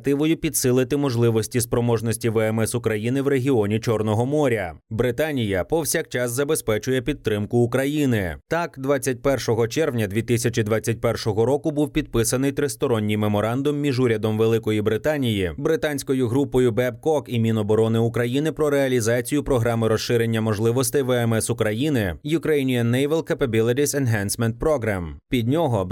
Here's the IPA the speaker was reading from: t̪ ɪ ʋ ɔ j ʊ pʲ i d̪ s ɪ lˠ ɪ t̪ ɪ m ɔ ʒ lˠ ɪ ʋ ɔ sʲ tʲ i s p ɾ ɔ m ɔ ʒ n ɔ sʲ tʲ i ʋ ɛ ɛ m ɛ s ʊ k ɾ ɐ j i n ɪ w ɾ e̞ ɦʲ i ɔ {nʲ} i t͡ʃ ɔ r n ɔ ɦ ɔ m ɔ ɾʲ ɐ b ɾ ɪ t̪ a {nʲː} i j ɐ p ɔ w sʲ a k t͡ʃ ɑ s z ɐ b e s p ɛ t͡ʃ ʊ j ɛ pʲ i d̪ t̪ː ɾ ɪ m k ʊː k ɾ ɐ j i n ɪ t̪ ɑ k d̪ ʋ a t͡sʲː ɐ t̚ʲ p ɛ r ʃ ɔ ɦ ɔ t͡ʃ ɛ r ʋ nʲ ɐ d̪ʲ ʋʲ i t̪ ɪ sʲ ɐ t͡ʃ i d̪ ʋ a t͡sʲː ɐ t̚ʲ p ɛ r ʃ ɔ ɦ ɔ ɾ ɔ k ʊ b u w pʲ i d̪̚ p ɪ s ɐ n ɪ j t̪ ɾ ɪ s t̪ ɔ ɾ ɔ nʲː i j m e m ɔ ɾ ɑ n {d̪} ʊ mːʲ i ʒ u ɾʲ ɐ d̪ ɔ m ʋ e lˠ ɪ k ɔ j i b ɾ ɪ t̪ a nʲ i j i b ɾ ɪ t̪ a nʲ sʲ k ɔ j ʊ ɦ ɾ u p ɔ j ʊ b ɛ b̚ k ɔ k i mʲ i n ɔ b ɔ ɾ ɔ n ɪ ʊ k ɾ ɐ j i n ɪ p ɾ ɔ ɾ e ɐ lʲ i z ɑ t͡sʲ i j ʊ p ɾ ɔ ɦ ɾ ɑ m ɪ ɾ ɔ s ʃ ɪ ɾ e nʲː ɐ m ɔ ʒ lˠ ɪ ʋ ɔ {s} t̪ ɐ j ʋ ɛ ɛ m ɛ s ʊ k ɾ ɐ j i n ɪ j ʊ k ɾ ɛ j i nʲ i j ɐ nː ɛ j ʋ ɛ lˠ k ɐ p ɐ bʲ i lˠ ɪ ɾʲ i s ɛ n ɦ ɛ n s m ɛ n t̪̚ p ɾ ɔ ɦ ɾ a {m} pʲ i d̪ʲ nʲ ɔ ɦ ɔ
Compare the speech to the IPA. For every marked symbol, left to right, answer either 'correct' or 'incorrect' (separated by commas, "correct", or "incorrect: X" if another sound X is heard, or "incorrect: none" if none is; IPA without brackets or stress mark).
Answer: correct, incorrect: nʲ, correct, correct, correct